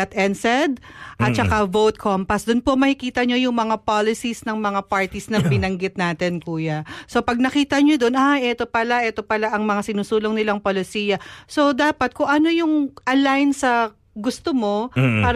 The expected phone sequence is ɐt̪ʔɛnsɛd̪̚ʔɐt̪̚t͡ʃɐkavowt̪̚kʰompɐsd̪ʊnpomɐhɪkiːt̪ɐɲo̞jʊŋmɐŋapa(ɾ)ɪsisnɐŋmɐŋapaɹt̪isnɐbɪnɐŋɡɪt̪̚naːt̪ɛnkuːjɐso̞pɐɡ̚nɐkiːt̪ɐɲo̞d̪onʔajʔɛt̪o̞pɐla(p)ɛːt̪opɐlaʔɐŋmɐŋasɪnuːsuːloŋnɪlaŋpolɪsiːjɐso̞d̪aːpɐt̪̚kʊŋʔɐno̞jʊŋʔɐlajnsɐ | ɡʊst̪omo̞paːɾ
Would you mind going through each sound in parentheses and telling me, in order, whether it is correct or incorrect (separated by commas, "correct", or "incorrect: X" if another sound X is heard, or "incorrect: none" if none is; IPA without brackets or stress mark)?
incorrect: l, incorrect: ʔ